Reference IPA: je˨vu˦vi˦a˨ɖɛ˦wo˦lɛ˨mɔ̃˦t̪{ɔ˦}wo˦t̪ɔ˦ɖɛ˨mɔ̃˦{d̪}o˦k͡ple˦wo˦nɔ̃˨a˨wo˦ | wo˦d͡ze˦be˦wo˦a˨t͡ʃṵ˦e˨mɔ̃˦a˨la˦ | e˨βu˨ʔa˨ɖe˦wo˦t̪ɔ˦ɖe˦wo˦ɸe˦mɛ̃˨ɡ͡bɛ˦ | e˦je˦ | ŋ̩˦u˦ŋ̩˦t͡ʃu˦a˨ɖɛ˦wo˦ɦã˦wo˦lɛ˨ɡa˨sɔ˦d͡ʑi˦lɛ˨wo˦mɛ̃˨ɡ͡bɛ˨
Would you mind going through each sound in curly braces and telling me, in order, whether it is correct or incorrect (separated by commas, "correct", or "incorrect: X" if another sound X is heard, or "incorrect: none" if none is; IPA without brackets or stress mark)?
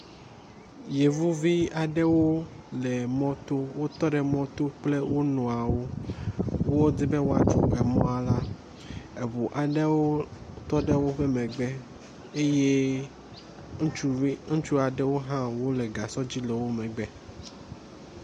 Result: incorrect: o˦, incorrect: t̪